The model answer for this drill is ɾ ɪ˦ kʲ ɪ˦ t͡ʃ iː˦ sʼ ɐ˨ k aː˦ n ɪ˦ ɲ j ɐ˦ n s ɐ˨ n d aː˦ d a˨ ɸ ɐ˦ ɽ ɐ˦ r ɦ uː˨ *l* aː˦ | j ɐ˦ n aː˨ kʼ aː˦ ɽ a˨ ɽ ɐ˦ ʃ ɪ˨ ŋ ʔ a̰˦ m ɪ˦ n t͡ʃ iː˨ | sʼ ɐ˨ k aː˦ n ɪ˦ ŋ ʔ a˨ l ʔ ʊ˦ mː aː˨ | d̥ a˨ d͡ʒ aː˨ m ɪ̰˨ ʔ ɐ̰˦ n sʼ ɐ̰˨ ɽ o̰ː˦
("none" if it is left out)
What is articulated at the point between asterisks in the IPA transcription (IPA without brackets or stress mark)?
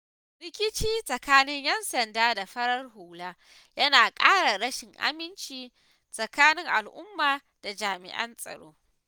l